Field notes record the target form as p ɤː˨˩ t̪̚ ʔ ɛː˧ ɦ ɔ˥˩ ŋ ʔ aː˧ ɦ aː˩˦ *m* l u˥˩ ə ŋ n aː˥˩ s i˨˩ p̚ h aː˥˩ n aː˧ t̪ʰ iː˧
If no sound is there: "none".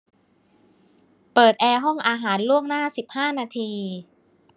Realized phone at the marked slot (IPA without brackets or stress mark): n